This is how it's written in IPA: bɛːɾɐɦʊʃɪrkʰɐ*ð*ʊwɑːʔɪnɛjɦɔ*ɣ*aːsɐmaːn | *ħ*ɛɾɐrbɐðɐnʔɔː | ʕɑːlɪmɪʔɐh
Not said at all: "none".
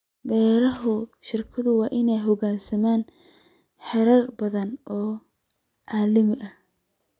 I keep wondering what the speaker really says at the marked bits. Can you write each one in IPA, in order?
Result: ð, ɣ, ħ

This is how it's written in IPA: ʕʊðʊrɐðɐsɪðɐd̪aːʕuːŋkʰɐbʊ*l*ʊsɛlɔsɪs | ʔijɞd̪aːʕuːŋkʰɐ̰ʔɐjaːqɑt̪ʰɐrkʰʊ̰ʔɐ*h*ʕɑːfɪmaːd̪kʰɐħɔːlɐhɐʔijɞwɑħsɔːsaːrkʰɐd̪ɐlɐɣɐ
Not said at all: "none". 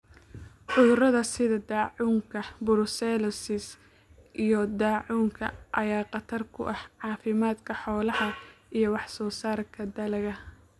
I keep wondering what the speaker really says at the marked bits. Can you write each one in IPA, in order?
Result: ɾ, h

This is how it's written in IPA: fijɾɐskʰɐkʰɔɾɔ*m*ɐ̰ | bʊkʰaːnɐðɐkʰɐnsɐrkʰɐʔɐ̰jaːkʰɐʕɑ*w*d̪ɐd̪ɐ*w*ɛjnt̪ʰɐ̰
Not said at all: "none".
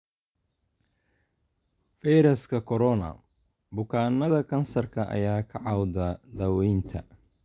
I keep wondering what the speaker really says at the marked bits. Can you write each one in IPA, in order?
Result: n, w, w

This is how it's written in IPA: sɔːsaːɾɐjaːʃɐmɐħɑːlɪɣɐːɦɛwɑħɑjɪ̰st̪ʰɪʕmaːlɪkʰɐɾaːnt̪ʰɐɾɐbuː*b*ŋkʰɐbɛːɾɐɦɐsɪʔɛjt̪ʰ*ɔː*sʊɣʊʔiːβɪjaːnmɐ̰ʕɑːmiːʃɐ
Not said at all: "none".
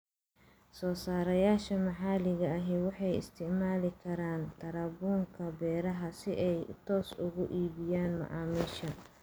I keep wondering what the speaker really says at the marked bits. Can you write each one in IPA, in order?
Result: none, ɔː

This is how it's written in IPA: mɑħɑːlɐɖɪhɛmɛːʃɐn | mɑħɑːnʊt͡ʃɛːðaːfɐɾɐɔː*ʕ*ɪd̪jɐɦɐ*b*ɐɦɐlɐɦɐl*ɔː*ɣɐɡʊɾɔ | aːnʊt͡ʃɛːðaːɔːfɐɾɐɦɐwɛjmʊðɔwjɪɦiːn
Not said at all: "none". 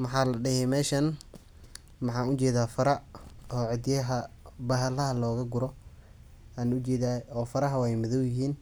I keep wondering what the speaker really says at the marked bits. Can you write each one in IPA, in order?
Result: ʕ, b, ɔː

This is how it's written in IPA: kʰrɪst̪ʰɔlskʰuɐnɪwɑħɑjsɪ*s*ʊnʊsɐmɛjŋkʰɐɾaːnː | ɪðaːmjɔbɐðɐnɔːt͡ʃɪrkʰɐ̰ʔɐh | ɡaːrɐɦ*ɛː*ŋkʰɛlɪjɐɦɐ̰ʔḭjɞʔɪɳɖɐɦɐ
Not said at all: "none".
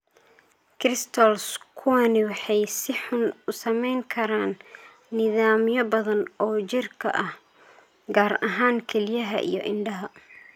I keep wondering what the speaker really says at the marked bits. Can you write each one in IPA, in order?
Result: ħ, aː

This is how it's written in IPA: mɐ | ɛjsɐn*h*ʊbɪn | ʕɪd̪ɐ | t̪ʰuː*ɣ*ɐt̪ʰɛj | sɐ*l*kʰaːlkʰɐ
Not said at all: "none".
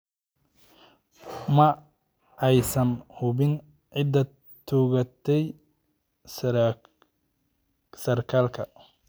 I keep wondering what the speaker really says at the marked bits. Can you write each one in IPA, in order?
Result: h, ɣ, r

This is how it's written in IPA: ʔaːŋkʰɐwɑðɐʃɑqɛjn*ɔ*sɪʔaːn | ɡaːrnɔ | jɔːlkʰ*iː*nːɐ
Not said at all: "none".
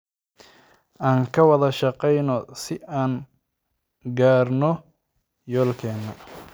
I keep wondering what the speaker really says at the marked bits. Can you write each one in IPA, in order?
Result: ɔ, ɛː

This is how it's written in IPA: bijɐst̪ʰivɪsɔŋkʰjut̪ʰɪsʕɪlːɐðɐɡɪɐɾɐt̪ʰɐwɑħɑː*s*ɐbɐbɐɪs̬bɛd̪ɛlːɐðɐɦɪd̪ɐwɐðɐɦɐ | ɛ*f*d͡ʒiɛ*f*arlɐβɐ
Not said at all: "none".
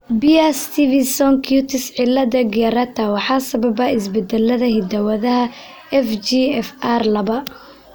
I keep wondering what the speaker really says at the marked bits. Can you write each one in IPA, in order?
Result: s, f, f

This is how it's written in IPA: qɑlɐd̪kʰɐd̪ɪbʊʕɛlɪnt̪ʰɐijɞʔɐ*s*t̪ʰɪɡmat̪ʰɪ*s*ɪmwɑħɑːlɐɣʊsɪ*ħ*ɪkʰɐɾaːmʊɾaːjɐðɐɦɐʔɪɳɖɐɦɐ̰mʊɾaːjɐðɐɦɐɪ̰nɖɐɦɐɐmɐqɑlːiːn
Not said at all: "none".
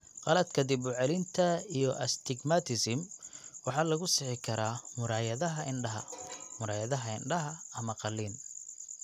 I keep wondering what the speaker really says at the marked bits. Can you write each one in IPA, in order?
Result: s, s, ħ

